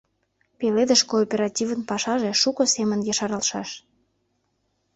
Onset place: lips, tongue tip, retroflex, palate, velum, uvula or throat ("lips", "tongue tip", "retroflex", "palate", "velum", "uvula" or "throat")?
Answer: lips